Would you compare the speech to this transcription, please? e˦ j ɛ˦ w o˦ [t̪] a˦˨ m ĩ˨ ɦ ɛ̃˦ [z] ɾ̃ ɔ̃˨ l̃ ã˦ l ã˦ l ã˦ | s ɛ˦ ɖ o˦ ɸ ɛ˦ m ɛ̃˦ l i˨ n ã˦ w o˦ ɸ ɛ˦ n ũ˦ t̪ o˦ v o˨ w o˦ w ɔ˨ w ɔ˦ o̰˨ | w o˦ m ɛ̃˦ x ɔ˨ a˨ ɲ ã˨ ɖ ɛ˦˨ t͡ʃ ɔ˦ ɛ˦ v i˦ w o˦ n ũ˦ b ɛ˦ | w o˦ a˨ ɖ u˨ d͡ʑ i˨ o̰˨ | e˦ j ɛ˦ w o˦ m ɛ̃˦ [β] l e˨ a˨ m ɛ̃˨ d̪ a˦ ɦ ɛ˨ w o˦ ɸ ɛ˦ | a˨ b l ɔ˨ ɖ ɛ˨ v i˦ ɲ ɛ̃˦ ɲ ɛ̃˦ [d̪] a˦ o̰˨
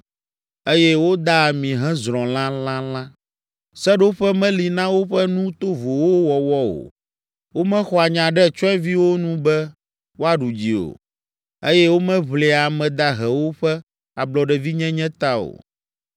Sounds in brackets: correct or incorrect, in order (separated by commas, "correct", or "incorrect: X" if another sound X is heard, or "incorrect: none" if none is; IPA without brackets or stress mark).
incorrect: d̪, correct, correct, incorrect: t̪